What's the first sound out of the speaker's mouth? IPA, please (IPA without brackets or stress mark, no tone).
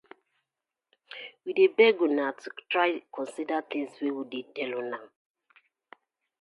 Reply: w